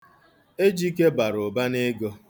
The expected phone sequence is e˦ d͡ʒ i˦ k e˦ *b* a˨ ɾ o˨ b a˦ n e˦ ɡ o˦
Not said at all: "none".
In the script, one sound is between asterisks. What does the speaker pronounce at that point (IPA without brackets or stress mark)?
b